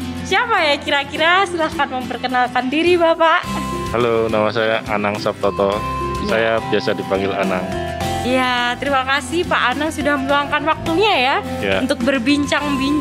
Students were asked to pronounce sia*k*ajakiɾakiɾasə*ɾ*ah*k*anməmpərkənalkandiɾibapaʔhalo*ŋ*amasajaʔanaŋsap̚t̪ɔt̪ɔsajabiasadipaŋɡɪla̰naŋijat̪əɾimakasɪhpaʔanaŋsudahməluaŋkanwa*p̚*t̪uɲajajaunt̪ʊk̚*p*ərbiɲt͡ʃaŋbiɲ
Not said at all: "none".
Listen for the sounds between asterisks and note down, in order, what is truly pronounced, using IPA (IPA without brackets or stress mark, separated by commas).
p, l, k, n, k̚, b